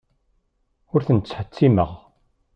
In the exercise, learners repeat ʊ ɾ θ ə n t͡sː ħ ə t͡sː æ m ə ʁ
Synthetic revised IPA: ʊ ɾ θ ə n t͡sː ħ ə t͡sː i m ə ʁ